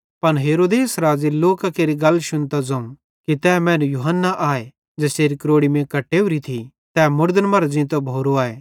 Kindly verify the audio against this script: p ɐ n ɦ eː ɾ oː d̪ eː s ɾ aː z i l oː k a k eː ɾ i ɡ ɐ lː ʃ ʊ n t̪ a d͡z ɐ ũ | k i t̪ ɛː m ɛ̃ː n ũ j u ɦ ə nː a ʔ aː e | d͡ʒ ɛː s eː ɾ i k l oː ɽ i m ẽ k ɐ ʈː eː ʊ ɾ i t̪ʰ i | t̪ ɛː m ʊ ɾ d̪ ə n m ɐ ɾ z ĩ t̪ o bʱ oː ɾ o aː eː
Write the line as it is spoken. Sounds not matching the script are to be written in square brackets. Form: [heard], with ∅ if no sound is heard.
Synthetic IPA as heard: p ɐ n ɦ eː ɾ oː d̪ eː s ɾ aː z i l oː k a k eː ɾ i ɡ ɐ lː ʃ ʊ n t̪ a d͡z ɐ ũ | k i t̪ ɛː m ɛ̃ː n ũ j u ɦ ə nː a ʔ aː e | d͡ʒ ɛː s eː ɾ i k [ɾ] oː ɽ i m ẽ k ɐ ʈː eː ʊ ɾ i t̪ʰ i | t̪ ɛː m ʊ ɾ d̪ ə n m ɐ ɾ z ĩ t̪ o bʱ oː ɾ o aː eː